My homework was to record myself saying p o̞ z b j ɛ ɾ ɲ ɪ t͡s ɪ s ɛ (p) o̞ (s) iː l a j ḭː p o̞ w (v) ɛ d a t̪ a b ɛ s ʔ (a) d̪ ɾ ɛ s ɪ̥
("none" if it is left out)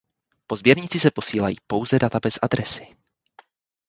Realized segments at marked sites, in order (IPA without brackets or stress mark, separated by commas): p, s, z, a